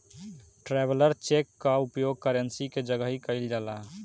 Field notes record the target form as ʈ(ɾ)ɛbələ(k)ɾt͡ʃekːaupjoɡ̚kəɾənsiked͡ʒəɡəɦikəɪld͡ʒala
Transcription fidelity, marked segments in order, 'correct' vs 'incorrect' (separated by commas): correct, incorrect